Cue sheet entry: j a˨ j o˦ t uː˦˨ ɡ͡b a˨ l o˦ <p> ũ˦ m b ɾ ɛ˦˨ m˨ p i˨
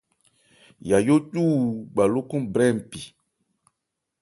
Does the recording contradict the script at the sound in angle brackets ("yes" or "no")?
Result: yes